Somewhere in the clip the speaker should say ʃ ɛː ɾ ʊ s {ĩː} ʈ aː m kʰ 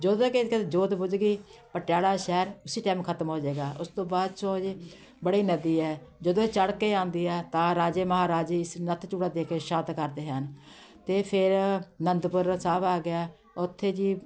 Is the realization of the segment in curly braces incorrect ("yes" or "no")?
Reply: yes